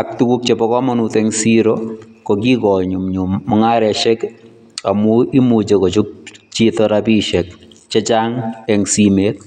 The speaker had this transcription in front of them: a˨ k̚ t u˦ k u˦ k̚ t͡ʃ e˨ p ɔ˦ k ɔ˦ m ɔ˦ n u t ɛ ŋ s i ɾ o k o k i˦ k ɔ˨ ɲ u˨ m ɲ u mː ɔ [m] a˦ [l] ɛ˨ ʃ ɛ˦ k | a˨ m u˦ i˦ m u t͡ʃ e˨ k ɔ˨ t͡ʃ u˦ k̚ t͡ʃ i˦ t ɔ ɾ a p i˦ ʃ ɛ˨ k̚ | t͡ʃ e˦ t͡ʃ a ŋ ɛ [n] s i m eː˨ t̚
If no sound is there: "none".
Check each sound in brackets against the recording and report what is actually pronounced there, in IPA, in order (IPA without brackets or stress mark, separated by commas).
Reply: ŋ, ɾ, ŋ